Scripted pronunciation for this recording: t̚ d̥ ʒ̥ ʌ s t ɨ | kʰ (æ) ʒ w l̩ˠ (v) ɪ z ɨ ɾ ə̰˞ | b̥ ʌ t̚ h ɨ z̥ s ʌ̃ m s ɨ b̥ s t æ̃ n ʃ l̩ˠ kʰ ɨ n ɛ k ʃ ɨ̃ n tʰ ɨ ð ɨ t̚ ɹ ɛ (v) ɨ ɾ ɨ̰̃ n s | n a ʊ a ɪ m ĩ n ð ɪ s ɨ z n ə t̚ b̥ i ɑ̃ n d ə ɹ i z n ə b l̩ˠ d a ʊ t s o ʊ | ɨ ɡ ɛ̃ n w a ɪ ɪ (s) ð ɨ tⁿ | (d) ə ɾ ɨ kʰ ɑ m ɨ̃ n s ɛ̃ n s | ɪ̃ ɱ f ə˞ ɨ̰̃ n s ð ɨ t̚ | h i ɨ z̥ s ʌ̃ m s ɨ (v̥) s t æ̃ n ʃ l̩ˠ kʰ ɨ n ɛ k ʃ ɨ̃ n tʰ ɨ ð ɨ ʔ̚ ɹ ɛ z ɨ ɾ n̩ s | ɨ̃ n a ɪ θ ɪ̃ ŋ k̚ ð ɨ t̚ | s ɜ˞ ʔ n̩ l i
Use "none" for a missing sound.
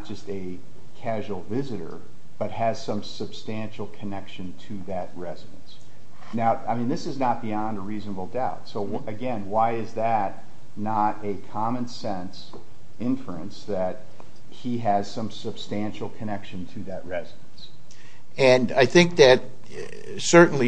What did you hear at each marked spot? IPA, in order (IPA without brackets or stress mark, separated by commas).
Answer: æ, v, z, z, n, b̥